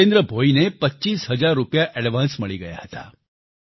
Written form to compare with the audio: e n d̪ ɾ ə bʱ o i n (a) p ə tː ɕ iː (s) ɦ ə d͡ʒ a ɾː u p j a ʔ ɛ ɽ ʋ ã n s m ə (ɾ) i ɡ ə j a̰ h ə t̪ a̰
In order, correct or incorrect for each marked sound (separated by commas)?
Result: incorrect, correct, incorrect